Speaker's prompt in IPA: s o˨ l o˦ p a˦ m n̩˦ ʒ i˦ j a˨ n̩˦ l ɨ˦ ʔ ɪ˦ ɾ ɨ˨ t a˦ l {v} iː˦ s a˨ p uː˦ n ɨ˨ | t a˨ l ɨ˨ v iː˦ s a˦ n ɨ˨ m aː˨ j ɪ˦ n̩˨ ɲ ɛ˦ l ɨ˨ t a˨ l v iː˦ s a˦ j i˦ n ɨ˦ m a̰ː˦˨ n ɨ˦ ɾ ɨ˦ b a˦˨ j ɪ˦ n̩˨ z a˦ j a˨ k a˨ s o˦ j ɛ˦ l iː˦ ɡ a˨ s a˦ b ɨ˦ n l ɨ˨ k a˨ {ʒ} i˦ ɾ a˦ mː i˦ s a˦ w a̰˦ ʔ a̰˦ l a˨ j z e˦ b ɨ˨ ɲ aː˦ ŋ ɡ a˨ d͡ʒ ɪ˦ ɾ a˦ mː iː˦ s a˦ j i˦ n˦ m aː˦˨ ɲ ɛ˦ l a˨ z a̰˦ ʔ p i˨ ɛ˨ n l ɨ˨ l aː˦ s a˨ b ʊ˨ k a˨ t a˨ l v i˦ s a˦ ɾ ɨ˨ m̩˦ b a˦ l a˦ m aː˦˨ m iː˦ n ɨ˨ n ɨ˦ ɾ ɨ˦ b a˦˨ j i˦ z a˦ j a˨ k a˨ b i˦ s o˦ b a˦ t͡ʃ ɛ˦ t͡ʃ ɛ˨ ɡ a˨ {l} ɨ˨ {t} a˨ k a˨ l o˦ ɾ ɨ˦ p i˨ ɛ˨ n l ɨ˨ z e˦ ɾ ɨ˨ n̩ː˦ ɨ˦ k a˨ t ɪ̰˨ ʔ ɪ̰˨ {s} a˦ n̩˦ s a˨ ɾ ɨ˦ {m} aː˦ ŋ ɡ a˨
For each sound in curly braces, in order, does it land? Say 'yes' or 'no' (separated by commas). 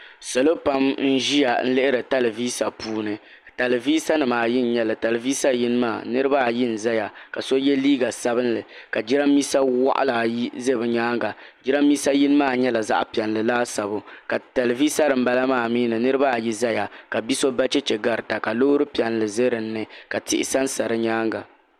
yes, no, no, yes, yes, no